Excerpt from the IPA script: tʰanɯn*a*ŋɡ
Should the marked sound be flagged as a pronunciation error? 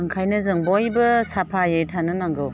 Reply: no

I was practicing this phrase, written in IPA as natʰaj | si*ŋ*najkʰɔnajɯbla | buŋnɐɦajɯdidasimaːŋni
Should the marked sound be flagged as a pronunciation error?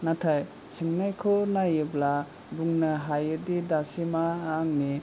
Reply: no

